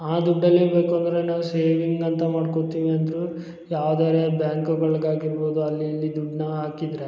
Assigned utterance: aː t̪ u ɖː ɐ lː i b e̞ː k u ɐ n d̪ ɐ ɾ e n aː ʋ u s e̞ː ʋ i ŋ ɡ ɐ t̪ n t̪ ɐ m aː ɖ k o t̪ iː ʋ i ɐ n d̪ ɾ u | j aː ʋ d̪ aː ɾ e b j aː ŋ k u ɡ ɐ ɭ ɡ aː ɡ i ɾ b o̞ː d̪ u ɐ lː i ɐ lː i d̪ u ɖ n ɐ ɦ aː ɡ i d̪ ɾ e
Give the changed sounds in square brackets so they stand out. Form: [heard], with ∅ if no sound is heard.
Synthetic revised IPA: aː [d̪] u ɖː ɐ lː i b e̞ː k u ɐ n d̪ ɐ ɾ e n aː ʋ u s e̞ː ʋ i ŋ ɡ ɐ [∅] n t̪ ɐ m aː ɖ k o t̪ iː ʋ i ɐ n d̪ ɾ u | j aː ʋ d̪ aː ɾ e b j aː ŋ k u ɡ ɐ ɭ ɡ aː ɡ i ɾ b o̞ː d̪ u ɐ lː i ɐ lː i d̪ u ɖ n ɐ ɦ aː [k] i d̪ ɾ e